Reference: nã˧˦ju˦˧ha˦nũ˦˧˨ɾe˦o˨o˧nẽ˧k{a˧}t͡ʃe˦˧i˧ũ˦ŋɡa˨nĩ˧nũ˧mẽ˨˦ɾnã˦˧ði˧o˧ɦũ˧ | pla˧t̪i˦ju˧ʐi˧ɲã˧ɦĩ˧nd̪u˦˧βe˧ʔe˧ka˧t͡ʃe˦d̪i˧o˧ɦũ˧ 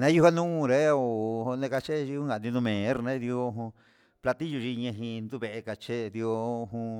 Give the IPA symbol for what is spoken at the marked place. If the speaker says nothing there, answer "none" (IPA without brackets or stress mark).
a˧